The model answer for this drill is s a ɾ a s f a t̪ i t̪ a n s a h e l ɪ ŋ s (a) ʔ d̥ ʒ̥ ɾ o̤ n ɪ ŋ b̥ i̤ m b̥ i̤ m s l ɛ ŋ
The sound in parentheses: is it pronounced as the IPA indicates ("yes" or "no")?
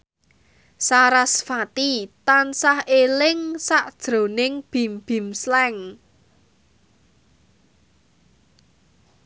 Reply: yes